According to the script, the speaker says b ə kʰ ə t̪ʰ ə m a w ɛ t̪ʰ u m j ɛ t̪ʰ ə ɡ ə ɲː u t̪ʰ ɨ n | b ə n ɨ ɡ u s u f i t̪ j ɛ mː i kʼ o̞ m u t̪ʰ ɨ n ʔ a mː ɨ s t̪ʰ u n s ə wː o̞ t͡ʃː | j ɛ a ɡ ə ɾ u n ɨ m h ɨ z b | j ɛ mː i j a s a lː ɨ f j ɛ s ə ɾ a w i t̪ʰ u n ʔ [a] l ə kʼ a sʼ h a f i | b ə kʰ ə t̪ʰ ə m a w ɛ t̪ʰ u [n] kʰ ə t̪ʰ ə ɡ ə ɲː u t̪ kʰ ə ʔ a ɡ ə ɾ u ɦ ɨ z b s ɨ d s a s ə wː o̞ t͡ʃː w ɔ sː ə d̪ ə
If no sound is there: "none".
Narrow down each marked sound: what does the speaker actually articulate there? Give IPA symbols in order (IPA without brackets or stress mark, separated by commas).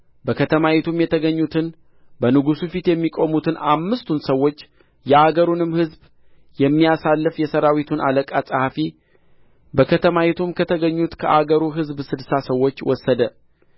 a, m